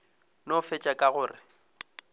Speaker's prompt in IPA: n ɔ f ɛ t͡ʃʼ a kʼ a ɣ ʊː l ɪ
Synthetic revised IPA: n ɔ f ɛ t͡ʃʼ a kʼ a ɣ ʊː r ɪ